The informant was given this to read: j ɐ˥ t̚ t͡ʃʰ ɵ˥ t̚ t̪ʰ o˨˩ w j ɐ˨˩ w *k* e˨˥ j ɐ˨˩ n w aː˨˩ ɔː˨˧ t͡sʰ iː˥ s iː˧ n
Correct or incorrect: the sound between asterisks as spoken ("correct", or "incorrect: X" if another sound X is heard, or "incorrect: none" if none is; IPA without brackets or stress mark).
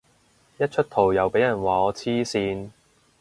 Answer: incorrect: p